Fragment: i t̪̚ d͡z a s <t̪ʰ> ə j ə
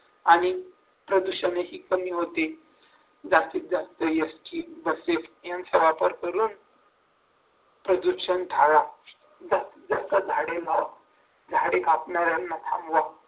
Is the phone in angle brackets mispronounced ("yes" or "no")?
yes